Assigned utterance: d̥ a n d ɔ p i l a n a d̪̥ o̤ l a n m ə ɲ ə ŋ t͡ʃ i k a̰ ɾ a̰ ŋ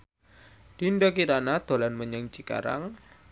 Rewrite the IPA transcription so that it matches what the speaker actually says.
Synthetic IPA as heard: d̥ i n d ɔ k i ɾ a n a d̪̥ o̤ l a n m ə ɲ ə ŋ t͡ʃ i k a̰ ɾ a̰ ŋ